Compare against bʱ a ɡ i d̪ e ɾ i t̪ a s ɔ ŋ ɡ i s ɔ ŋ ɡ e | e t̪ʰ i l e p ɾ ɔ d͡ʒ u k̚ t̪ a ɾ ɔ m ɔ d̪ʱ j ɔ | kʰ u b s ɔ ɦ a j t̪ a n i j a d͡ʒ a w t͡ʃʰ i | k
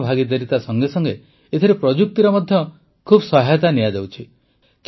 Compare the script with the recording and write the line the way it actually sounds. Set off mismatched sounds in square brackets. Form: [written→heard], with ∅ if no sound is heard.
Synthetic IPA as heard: bʱ a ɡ i d̪ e ɾ i t̪ a s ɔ ŋ ɡ [i→e] s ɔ ŋ ɡ e | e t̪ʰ i [l→ɾ] e p ɾ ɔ d͡ʒ u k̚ t̪ [a→i] ɾ ɔ m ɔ d̪ʱ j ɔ | kʰ u b s ɔ ɦ a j t̪ a n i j a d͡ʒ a w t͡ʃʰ i | k